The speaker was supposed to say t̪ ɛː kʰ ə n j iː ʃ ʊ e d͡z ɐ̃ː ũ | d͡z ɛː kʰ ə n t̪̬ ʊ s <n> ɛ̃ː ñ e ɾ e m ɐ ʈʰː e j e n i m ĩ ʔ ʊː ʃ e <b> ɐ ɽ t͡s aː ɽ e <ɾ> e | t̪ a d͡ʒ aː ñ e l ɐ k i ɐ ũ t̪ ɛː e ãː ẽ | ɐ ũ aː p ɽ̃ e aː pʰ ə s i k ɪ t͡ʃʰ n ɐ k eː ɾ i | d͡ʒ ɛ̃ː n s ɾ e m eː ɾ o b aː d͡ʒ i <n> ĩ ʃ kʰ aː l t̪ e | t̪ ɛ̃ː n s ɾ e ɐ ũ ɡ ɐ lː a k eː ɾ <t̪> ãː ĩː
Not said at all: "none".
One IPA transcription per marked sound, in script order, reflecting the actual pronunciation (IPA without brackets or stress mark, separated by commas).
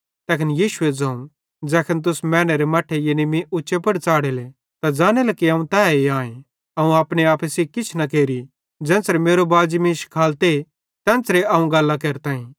m, p, l, m, t̪